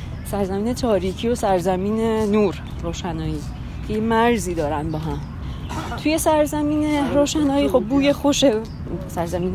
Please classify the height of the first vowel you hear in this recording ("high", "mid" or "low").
low